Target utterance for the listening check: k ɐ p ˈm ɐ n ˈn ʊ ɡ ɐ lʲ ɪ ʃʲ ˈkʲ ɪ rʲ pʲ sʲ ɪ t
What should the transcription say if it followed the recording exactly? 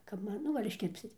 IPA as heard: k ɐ p ˈm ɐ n ˈn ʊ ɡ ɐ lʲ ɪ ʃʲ ˈkʲ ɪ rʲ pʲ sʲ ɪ t